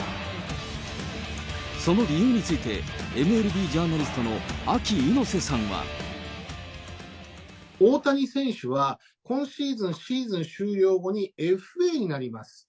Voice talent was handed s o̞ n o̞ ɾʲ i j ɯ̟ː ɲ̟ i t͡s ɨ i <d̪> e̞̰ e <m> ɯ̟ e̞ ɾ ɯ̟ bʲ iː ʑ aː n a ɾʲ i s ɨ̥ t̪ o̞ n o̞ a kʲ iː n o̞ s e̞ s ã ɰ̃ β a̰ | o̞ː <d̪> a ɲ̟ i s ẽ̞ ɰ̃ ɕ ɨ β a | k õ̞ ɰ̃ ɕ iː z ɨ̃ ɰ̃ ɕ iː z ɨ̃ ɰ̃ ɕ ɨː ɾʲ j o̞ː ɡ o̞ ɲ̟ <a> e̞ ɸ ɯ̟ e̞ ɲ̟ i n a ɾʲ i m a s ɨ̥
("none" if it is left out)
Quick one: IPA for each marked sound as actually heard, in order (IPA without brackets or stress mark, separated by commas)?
t̪, m, t̪, i